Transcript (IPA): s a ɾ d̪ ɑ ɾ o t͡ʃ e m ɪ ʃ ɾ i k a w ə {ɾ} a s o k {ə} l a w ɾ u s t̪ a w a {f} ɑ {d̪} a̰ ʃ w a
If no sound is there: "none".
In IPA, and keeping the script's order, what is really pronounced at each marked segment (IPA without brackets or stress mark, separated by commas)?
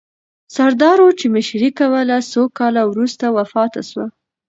l, ɑ, f, t̪